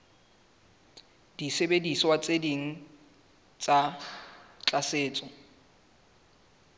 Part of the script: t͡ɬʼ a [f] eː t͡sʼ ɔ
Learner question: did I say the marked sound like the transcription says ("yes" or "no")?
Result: no